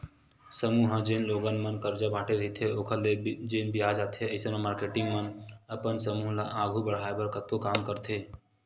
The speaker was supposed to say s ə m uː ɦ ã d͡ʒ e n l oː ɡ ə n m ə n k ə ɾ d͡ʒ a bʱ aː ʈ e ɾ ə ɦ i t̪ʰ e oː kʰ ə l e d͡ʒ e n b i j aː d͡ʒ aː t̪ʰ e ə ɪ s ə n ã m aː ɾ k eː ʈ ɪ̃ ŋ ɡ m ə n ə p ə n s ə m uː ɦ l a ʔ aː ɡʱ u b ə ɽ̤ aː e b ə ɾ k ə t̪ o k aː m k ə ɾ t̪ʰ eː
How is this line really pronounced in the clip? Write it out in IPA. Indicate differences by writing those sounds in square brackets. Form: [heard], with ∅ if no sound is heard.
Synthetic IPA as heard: s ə m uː ɦ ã d͡ʒ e n l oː ɡ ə n m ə n k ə ɾ d͡ʒ a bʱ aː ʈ e ɾ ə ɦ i t̪ʰ e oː kʰ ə l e d͡ʒ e n b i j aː d͡ʒ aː t̪ʰ e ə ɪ s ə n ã m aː ɾ k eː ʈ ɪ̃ ŋ ɡ m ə n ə p ə n s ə m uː ɦ l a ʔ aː ɡʱ u b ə ɽ̤ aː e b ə ɾ k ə t̪ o k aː m k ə ɾ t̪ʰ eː